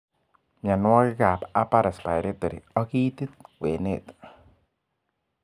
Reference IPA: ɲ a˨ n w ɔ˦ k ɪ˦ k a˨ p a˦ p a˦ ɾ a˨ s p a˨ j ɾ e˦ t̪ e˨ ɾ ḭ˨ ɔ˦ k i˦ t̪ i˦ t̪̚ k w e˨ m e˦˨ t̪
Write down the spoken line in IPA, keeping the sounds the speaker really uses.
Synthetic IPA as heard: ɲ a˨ n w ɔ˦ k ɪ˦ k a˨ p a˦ p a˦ ɾ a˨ s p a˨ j ɾ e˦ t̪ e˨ ɾ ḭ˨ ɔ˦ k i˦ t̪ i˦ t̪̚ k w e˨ n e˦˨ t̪